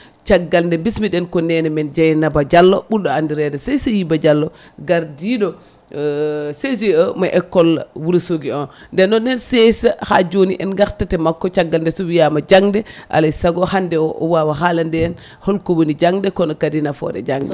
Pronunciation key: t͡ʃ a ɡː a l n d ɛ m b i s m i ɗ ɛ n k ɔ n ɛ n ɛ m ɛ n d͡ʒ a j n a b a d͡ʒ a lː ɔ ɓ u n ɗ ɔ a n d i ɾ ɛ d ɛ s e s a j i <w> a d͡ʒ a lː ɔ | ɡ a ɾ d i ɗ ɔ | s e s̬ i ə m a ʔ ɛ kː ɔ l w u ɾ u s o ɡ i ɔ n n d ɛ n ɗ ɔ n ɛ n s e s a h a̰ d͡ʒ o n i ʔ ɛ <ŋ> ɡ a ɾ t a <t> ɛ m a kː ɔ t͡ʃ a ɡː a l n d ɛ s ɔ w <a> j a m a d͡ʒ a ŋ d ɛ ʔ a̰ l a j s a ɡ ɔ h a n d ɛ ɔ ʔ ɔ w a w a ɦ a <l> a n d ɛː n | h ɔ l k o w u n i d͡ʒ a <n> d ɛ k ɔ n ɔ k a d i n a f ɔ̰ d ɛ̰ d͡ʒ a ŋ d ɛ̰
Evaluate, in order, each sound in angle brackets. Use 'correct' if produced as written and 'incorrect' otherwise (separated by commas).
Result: incorrect, incorrect, correct, incorrect, correct, incorrect